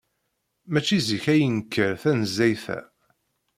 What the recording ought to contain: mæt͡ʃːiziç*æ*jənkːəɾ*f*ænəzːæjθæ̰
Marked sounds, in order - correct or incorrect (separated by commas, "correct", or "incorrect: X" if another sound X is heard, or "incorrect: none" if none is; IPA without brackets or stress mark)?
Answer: correct, incorrect: θ